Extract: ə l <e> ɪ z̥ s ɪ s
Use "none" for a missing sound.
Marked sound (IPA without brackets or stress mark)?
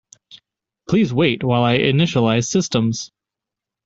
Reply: a